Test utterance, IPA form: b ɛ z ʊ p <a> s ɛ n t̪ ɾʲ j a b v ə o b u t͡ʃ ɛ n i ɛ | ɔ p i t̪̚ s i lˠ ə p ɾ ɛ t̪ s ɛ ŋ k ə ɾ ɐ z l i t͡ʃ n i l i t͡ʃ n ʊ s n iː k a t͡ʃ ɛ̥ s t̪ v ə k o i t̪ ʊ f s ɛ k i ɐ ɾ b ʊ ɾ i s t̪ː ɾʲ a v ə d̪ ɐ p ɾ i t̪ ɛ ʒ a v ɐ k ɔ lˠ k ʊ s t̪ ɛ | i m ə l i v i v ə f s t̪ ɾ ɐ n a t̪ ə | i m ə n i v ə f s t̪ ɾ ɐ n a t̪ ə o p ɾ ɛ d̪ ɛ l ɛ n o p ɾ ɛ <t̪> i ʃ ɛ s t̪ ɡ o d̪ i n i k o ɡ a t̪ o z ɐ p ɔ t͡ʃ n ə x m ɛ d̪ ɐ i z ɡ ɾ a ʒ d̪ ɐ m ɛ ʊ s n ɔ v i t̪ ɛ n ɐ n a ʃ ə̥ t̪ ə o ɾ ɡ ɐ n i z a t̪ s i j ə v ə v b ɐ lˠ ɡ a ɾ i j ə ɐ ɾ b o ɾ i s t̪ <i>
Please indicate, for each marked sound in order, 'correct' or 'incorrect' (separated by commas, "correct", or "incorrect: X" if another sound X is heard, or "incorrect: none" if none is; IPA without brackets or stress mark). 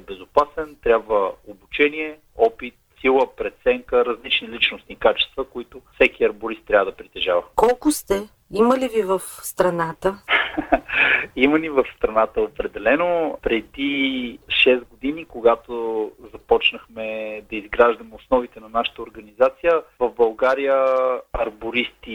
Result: correct, incorrect: d̪, correct